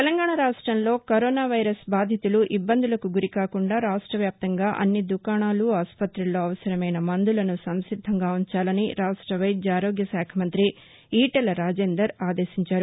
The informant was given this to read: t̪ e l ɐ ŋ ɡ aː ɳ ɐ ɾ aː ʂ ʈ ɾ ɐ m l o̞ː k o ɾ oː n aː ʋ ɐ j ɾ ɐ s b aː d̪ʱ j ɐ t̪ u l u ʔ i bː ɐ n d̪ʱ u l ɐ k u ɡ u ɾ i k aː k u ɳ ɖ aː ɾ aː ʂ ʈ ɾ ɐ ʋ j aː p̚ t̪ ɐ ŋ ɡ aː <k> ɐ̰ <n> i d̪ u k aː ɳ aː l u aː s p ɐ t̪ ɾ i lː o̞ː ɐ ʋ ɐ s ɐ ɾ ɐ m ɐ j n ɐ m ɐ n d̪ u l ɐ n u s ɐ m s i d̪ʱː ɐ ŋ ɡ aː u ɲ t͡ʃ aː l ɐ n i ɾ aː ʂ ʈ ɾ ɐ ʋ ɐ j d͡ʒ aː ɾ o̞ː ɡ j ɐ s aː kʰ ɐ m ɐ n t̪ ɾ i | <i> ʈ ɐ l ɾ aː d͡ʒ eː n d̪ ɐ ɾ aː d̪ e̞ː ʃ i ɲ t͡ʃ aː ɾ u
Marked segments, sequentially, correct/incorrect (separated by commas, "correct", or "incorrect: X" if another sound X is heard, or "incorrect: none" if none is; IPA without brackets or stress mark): incorrect: ʔ, incorrect: nː, incorrect: iː